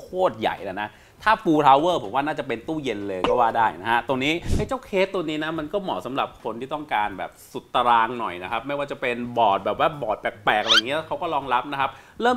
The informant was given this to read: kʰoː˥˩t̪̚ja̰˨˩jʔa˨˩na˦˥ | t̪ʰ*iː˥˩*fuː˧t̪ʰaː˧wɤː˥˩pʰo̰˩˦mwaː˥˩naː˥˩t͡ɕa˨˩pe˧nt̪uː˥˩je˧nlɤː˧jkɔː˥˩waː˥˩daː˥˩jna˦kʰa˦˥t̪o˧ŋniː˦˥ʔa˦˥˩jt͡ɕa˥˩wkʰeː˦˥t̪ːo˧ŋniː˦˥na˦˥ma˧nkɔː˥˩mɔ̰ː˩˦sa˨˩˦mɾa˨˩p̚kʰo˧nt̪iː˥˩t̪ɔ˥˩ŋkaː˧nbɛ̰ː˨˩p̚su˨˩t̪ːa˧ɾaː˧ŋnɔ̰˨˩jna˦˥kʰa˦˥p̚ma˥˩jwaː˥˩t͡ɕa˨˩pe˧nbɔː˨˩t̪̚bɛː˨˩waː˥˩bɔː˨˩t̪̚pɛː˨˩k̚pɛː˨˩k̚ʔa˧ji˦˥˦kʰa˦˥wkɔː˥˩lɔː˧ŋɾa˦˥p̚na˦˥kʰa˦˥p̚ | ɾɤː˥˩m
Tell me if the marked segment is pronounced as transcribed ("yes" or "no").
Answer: no